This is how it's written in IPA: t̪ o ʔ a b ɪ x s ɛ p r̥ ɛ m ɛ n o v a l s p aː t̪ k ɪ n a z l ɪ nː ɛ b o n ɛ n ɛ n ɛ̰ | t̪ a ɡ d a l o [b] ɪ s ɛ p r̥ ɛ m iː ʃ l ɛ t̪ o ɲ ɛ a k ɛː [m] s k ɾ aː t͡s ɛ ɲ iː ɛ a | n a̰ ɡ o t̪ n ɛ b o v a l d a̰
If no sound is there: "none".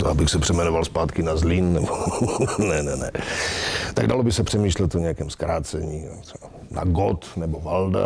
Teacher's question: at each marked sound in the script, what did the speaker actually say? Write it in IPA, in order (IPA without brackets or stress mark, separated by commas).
b, m